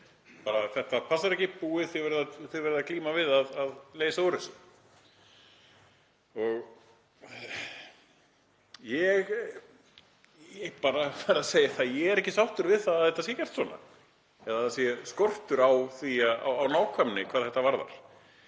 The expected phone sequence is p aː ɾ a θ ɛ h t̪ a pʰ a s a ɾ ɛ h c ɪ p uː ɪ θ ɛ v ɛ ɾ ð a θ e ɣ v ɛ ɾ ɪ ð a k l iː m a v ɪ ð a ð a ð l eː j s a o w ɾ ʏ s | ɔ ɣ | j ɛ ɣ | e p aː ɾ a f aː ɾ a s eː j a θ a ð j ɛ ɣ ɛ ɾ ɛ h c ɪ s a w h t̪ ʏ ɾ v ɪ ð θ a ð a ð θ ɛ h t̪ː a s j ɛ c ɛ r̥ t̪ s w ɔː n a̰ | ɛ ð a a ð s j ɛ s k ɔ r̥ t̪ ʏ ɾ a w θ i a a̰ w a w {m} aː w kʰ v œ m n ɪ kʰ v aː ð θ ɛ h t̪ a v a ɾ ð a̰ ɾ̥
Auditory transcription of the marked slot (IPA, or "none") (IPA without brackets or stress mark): n